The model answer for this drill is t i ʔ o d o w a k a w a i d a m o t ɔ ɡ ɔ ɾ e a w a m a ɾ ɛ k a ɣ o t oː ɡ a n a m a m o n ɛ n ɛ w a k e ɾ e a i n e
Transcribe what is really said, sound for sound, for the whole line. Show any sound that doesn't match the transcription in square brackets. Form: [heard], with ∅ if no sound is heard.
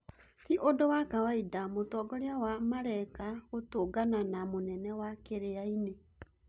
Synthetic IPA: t i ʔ o d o w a k a w a i d a m o t ɔ ɡ ɔ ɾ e a w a m a ɾ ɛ k a ɣ o t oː ɡ a n a [n] a m o n ɛ n ɛ w a k e ɾ e a i n e